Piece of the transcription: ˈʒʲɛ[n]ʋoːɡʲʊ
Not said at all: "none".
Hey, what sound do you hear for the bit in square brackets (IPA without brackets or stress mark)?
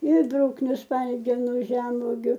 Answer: m